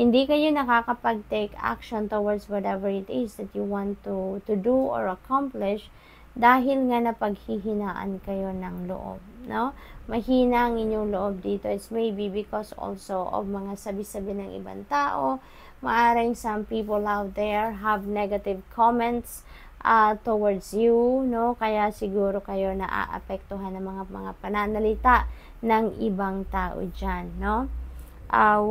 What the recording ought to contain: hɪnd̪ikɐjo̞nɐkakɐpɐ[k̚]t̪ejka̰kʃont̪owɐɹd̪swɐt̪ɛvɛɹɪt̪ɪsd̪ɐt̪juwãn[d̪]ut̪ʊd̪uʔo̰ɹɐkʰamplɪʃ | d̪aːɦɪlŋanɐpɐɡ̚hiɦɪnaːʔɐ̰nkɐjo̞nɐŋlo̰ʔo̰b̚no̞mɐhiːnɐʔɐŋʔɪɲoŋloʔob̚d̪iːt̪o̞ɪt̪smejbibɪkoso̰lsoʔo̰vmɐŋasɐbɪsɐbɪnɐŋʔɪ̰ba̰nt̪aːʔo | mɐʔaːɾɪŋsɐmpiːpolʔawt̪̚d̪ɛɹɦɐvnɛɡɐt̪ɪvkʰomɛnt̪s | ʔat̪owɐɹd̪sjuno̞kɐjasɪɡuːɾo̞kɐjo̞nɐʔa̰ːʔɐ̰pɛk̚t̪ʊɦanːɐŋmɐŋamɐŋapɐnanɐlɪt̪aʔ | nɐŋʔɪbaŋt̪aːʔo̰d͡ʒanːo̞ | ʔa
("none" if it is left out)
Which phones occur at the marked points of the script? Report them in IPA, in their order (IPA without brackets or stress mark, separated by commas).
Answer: ɡ̚, t̪